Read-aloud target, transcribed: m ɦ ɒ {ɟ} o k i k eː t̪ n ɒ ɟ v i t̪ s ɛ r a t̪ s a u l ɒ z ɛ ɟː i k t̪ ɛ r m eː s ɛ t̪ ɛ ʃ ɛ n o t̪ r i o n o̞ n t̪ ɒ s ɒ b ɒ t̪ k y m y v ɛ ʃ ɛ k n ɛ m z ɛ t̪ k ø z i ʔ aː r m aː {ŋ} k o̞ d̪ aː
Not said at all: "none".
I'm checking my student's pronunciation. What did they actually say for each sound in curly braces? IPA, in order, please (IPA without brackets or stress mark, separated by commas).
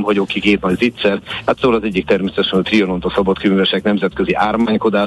ɟ, ɲ